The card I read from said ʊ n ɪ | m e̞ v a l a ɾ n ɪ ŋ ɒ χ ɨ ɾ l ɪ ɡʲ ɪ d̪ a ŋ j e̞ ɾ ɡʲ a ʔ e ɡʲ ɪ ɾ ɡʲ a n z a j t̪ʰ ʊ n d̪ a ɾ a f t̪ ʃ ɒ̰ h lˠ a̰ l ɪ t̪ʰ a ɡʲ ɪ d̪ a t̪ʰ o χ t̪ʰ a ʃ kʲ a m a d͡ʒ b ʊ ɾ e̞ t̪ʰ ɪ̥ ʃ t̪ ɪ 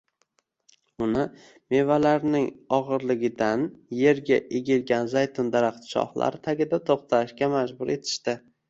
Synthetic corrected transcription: ʊ n ɪ | m e̞ v a l a ɾ n ɪ ŋ ɒ ʁ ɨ ɾ l ɪ ɡʲ ɪ d̪ a n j e̞ ɾ ɡʲ a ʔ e ɡʲ ɪ l ɡʲ a n z a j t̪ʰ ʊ n d̪ a ɾ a χ t̪ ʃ ɒ̰ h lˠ a̰ ɾ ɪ t̪ʰ a ɡʲ ɪ d̪ a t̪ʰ o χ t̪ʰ a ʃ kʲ a m a d͡ʒ b ʊ ɾ e̞ t̪ʰ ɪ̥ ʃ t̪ ɪ

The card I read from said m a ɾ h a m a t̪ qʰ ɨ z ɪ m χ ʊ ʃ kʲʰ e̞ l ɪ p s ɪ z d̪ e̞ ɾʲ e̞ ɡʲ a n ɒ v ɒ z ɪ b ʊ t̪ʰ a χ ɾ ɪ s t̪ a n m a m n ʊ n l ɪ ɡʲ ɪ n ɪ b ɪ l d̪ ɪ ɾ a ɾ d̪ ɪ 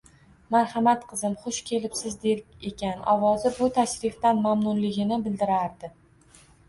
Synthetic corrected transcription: m a ɾ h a m a t̪ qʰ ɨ z ɪ m χ ʊ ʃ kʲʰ e̞ l ɪ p s ɪ z d̪ e̞ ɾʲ e̞ kʲ a n ɒ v ɒ z ɪ b ʊ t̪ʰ a ʃ ɾ ɪ f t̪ a n m a m n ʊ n l ɪ ɡʲ ɪ n ɪ b ɪ l d̪ ɪ ɾ a ɾ d̪ ɪ

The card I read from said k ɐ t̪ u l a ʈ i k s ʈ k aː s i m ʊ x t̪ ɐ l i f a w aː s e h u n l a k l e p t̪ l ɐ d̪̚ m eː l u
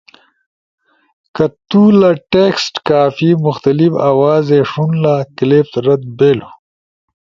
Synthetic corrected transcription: k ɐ t̪ u l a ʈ e k s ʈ k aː f i m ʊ x t̪ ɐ l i f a w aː z e ʂ u n l a k l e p t̪ ɾ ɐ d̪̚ b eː l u

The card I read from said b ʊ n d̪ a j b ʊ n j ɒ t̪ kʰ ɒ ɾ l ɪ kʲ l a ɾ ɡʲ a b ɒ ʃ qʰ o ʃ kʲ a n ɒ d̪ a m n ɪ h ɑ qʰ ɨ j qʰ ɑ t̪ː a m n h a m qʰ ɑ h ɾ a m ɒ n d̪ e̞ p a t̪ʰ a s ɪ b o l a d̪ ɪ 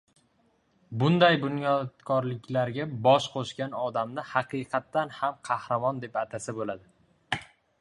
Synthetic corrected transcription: b ʊ n d̪ a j b ʊ n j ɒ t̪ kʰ ɒ ɾ l ɪ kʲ l a ɾ ɡʲ a b ɒ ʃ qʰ o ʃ kʲ a n ɒ d̪ a m n ɪ h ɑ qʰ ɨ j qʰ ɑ t̪ː a n h a m qʰ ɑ h ɾ a m ɒ n d̪ e̞ p a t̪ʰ a s ɪ b o l a d̪ ɪ

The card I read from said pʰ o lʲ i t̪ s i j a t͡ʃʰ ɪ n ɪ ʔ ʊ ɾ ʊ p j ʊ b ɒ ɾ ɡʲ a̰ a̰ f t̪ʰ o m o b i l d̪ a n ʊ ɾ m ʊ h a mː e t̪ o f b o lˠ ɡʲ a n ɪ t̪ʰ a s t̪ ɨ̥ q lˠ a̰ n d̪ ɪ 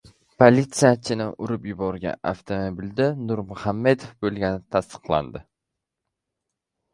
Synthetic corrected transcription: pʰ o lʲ i t̪ s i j a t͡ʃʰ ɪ n ɪ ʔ ʊ ɾ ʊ p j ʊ b ɒ ɾ ɡʲ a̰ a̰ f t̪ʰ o m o b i l d̪ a n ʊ ɾ m ʊ h a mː e d̪ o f b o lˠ ɡʲ a n ɪ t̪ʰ a s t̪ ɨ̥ q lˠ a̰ n d̪ ɪ

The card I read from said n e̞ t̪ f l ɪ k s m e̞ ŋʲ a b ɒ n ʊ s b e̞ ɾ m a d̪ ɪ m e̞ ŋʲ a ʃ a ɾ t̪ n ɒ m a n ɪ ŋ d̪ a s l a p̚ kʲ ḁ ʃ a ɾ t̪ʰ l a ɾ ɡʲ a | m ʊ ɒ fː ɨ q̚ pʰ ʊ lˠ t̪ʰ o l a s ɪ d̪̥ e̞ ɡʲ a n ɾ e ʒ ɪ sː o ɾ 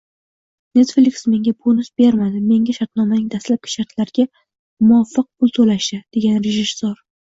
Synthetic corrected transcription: n e̞ t̪ f l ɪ k s m e̞ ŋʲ a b o n ʊ s b e̞ ɾ m a d̪ ɪ m e̞ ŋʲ a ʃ a ɾ t̪ n ɒ m a n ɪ ŋ d̪ a s l a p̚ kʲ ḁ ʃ a ɾ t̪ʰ l a ɾ ɡʲ a | m ʊ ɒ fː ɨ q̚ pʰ ʊ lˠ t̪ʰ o l a ʃ ɪ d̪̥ e̞ ɡʲ a n ɾ e ʒ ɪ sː o ɾ

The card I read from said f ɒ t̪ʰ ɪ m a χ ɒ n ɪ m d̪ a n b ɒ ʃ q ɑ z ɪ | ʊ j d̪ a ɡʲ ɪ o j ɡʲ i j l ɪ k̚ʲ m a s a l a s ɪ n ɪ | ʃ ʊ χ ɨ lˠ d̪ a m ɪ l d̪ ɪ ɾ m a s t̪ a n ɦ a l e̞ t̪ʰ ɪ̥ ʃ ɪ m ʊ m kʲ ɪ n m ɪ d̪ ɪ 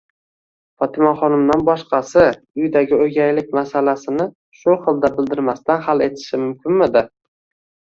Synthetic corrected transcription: f ɒ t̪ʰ ɪ m a χ ɒ n ɪ m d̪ a n b ɒ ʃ q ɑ s ɪ | ʊ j d̪ a ɡʲ ɪ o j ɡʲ a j l ɪ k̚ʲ m a s a l a s ɪ n ɪ | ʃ ʊ χ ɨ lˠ d̪ a b ɪ l d̪ ɪ ɾ m a s t̪ a n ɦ a l e̞ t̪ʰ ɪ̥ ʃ ɪ m ʊ m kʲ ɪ n m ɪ d̪ ɪ

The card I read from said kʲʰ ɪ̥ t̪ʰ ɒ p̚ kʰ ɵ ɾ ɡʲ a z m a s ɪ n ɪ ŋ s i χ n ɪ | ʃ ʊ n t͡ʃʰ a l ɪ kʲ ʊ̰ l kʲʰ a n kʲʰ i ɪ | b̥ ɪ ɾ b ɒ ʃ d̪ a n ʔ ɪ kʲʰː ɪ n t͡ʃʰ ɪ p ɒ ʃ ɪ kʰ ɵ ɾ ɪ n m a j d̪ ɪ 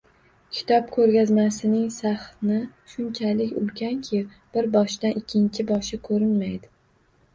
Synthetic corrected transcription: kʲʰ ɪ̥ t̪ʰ ɒ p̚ kʰ ɵ ɾ ɡʲ a z m a s ɪ n ɪ ŋ s a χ n ɪ | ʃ ʊ n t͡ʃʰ a l ɪ kʲ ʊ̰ l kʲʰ a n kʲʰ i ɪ | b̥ ɪ ɾ b ɒ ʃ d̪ a n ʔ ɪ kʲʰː ɪ n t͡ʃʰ ɪ b ɒ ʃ ɪ kʰ ɵ ɾ ɪ n m a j d̪ ɪ

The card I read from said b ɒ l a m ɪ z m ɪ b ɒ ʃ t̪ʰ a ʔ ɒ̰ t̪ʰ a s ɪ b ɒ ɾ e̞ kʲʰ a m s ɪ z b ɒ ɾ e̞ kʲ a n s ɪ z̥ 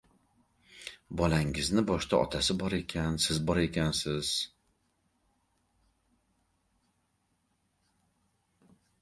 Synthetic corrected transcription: b ɒ l a ŋ ɪ z n ɪ b ɒ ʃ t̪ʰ a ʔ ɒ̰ t̪ʰ a s ɪ b ɒ ɾ e̞ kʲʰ a n s ɪ z b ɒ ɾ e̞ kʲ a n s ɪ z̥

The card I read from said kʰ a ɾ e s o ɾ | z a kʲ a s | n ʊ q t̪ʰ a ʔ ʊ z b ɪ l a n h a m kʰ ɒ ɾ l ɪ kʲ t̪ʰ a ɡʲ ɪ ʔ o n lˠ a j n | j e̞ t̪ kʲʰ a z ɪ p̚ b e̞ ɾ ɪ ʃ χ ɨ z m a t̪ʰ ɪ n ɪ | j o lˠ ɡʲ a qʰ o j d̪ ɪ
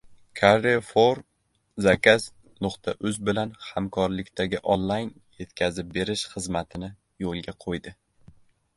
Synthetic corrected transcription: kʰ a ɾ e f o ɾ | z a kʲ a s | n ʊ q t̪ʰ a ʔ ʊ z b ɪ l a n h a m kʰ ɒ ɾ l ɪ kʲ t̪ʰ a ɡʲ ɪ ʔ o n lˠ a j n | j e̞ t̪ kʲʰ a z ɪ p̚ b e̞ ɾ ɪ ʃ χ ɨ z m a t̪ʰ ɪ n ɪ | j o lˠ ɡʲ a qʰ o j d̪ ɪ

